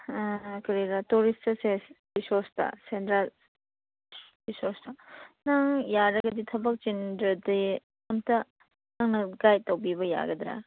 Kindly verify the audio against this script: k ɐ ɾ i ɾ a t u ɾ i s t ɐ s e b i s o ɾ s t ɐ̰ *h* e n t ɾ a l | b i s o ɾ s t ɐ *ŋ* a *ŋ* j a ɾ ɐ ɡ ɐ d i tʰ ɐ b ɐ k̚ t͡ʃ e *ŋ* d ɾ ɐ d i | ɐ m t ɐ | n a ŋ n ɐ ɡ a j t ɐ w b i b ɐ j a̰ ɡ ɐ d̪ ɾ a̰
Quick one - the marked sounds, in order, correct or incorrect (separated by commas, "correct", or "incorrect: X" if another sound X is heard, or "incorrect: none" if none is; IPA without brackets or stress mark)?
incorrect: s, incorrect: n, correct, incorrect: n